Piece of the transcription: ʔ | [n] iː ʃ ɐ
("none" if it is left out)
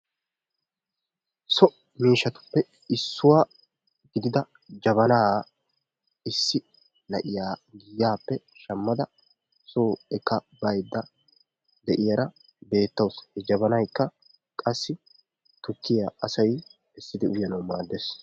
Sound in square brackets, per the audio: m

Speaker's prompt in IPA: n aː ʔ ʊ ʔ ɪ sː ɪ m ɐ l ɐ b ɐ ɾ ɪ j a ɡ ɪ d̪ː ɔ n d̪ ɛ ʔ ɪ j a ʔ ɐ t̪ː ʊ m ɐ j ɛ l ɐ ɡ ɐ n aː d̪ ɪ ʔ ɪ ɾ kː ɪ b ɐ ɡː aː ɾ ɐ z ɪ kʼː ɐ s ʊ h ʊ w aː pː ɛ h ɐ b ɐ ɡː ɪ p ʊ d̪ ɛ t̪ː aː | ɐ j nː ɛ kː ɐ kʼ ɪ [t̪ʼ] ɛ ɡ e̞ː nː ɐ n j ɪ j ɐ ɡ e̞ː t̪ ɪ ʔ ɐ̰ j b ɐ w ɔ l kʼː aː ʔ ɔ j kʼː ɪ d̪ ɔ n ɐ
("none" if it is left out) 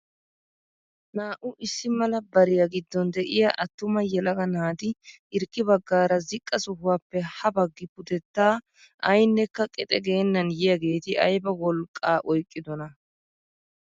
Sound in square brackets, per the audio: t̪ʼ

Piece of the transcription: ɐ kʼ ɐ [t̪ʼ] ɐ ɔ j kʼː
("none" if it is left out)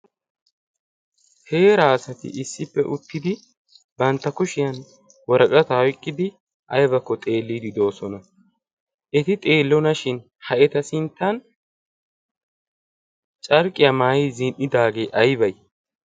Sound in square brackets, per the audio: t̪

